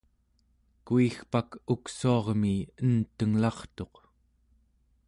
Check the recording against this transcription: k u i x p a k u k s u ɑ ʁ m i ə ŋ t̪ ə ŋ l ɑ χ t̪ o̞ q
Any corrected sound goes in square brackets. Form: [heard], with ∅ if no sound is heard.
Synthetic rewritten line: k u i x p a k u k s u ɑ ʁ m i ə [n] t̪ ə ŋ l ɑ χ t̪ o̞ q